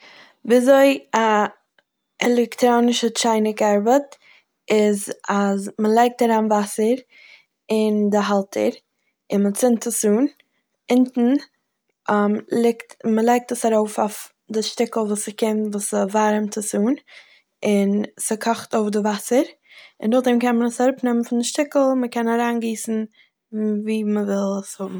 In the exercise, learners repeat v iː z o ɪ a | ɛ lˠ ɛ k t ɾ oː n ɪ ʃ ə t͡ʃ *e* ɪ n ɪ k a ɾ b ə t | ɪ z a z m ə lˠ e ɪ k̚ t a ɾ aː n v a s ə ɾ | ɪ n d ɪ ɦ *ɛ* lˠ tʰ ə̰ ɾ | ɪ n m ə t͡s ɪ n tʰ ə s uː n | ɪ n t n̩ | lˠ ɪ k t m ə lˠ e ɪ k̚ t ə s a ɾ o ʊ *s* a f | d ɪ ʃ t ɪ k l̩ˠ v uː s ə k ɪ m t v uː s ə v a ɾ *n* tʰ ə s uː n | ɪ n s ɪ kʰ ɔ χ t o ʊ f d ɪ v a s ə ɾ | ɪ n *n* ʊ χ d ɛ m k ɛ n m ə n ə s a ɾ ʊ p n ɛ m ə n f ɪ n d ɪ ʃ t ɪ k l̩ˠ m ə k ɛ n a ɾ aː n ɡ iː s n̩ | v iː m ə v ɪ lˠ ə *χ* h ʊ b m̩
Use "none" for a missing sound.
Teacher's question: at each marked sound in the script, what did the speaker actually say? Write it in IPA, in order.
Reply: a, a, f, m, d, s

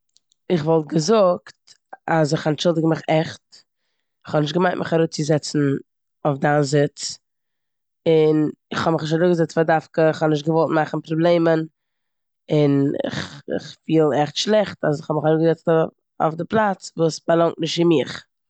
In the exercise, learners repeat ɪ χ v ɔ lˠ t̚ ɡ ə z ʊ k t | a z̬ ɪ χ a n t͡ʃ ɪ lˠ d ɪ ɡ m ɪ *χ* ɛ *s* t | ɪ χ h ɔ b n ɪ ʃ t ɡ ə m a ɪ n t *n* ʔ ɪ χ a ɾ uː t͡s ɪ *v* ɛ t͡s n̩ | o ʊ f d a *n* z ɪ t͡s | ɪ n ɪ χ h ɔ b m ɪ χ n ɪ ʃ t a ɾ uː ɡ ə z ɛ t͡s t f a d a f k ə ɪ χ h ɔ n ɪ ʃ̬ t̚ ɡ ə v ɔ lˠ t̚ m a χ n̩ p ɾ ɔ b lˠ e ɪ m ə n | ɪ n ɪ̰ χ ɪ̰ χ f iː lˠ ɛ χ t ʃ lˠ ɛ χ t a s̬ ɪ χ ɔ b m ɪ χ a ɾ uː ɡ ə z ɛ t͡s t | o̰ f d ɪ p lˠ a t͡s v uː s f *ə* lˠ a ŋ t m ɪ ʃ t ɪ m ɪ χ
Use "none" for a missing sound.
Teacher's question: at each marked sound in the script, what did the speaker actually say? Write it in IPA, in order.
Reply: χ, χ, m, z, n, a

